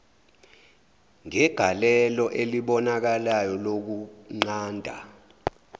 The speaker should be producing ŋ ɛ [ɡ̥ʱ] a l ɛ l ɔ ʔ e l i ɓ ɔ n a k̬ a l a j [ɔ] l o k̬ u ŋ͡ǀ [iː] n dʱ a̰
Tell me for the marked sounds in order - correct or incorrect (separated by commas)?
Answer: correct, correct, incorrect